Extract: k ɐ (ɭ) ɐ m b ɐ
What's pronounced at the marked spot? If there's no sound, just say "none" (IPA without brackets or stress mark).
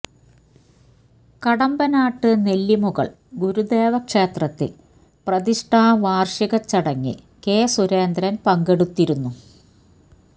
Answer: ɽ